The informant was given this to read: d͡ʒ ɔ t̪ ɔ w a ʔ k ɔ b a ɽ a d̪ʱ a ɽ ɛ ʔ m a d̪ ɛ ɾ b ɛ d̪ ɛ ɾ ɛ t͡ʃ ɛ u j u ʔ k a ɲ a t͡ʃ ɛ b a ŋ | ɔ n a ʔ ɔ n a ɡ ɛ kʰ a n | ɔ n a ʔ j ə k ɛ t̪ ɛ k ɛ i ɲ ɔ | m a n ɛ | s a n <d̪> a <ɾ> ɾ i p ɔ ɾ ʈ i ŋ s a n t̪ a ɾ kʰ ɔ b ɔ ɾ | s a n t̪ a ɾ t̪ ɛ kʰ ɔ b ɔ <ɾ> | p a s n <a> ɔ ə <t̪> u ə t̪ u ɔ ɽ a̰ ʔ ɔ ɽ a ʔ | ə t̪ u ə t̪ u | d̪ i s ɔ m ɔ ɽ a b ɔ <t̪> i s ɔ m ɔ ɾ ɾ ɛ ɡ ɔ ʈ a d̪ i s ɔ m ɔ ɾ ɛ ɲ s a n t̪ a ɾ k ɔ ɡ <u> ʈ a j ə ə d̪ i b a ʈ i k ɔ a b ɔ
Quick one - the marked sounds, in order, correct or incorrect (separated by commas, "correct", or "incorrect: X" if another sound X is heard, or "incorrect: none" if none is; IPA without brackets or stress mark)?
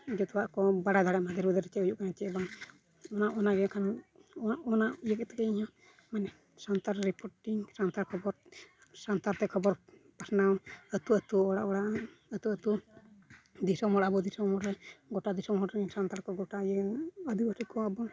incorrect: t̪, correct, correct, correct, correct, incorrect: d̪, incorrect: ɔ